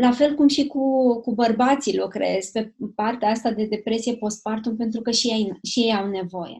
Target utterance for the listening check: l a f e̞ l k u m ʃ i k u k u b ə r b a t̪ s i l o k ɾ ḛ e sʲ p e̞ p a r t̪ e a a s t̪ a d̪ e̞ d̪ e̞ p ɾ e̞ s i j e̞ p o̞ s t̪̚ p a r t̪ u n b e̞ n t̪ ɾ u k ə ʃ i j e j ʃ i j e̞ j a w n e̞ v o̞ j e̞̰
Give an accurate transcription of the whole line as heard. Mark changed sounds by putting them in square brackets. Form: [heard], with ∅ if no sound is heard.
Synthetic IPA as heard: l a f e̞ l k u m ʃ i k u k u b ə r b a t̪ s i l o k ɾ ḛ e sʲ p e̞ p a r t̪ e a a s t̪ a d̪ e̞ d̪ e̞ p ɾ e̞ s i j e̞ p o̞ s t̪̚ p a r t̪ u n [p] e̞ n t̪ ɾ u k ə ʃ i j e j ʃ i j e̞ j a w n e̞ v o̞ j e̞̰